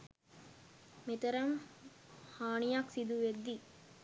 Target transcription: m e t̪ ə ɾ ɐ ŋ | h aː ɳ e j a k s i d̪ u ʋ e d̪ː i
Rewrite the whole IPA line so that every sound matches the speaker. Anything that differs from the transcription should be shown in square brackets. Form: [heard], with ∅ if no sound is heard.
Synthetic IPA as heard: m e t̪ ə ɾ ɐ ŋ | h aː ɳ [i] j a k s i d̪ u ʋ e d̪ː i